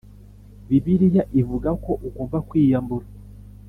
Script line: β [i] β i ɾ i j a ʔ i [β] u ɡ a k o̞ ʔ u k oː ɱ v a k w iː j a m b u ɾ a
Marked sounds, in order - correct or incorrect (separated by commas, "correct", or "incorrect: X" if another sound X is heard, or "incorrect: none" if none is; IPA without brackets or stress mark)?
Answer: correct, incorrect: v